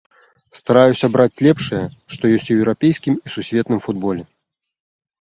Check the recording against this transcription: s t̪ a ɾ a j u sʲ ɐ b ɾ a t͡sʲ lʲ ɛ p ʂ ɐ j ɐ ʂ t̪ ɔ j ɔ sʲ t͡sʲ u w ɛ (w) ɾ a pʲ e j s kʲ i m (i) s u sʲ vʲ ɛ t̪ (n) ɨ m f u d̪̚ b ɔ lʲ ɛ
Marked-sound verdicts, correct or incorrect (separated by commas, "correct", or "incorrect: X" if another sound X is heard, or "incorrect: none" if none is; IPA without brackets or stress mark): correct, correct, correct